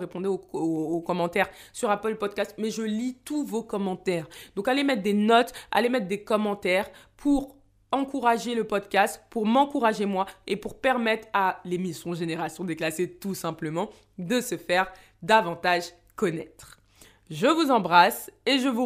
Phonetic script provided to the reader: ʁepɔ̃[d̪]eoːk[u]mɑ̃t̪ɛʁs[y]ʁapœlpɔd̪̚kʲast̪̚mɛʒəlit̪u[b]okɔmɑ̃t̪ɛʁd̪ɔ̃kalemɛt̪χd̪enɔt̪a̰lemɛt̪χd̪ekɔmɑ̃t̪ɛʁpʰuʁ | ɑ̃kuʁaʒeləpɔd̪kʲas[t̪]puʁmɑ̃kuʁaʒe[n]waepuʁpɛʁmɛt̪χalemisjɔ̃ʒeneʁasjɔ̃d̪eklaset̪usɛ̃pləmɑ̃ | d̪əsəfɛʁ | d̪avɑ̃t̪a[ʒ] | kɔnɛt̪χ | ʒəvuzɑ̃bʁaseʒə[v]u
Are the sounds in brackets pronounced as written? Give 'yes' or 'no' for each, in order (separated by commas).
yes, no, yes, no, yes, no, yes, yes